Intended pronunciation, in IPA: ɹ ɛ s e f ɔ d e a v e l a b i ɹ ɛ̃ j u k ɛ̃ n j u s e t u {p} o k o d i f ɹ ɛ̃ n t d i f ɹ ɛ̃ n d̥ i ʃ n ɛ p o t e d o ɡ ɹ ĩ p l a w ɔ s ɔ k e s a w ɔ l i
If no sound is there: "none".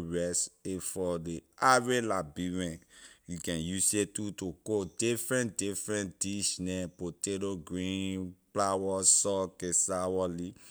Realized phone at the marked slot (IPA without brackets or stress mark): t